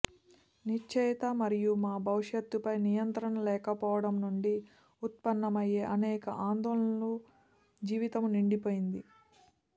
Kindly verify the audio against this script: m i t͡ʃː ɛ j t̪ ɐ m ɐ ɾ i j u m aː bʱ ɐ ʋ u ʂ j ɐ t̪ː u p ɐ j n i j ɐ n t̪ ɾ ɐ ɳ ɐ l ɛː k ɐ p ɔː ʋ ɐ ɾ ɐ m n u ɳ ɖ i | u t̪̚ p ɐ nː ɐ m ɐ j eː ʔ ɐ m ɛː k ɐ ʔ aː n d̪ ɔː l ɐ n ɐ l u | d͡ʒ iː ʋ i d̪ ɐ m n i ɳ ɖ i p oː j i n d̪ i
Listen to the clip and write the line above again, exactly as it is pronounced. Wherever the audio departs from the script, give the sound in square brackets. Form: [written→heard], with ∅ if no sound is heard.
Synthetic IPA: [m→n] i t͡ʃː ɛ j t̪ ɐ m ɐ ɾ i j u m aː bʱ ɐ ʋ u ʂ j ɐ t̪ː u p ɐ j n i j ɐ n t̪ ɾ ɐ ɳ ɐ l ɛː k ɐ p ɔː ʋ ɐ [ɾ→ɽ] ɐ m n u ɳ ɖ i | u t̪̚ p ɐ nː ɐ m ɐ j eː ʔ ɐ [m→n] ɛː k ɐ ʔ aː n d̪ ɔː l ɐ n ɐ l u | d͡ʒ iː ʋ i [d̪→t̪] ɐ m n i ɳ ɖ i p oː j i n d̪ i